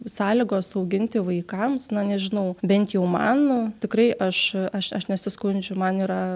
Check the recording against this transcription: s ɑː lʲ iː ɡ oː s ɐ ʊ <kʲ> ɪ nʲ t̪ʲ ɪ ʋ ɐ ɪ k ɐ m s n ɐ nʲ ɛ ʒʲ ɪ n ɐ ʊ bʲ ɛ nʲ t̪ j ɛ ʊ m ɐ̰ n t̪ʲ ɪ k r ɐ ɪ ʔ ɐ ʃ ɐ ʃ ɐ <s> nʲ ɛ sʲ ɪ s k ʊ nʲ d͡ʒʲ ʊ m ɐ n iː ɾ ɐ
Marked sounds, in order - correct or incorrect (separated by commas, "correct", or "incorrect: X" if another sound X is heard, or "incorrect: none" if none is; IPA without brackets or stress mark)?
incorrect: ɡʲ, incorrect: ʃ